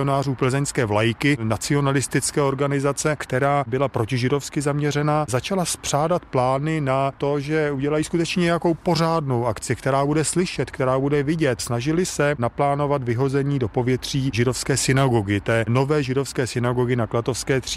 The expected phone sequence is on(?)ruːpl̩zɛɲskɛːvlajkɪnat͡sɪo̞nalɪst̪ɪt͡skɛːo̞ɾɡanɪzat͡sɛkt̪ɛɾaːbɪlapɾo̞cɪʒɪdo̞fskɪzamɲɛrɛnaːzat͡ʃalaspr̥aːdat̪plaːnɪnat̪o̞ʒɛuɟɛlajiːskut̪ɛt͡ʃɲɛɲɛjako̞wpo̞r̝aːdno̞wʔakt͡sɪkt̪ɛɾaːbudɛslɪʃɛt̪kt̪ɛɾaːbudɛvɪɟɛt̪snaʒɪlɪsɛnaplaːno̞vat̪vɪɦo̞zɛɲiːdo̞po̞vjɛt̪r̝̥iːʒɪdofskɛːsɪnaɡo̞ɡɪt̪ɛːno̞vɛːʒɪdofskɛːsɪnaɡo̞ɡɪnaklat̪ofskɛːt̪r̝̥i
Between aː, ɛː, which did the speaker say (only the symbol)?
aː